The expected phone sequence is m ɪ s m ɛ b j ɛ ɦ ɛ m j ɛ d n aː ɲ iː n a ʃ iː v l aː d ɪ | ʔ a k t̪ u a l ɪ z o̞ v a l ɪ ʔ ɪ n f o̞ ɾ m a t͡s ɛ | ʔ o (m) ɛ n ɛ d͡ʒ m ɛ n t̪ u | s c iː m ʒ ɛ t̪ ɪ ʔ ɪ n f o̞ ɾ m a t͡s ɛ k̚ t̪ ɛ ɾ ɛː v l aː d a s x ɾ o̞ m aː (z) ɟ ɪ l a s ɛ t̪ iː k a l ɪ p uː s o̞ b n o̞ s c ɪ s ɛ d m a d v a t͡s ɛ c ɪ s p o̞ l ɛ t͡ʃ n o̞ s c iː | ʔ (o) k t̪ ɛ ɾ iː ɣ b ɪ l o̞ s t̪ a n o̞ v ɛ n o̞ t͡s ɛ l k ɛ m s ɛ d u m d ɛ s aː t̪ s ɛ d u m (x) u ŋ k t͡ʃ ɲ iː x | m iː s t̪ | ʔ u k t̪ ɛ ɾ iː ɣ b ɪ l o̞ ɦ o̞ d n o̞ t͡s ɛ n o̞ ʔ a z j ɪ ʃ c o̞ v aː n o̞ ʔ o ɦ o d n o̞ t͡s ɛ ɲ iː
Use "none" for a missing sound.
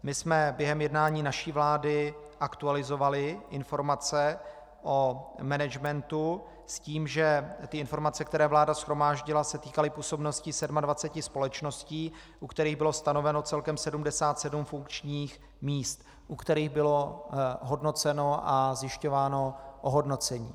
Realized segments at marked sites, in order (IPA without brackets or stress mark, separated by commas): m, ʒ, u, f